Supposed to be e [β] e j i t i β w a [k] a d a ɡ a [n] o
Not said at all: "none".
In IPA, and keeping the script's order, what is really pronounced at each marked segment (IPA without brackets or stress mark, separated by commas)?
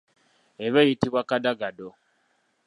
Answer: β, k, d